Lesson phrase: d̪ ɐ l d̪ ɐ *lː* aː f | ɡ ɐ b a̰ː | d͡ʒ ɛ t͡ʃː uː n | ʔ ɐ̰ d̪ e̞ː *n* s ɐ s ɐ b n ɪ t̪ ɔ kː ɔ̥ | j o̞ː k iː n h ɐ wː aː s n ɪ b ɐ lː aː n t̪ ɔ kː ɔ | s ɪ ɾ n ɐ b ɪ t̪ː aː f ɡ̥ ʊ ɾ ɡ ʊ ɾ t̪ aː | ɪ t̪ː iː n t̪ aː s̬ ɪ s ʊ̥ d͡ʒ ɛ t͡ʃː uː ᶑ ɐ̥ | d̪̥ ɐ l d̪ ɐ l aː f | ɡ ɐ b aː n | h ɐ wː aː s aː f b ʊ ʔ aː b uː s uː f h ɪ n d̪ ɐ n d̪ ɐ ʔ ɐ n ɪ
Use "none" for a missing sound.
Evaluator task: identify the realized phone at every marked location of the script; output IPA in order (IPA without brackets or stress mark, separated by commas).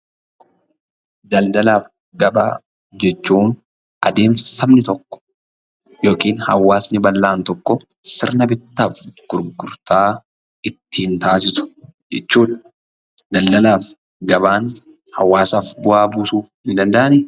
l, m